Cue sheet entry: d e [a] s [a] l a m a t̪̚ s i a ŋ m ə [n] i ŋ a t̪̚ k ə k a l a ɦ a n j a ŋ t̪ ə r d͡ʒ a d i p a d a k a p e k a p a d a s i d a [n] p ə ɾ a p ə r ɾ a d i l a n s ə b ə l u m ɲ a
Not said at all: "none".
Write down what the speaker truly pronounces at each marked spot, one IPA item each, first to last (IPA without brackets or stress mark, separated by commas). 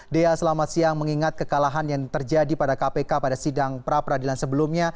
a, ə, ŋ, ŋ